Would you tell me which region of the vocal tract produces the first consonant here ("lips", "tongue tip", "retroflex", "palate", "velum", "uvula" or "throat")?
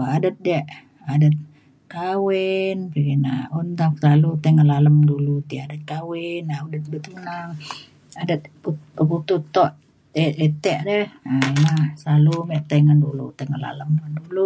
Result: tongue tip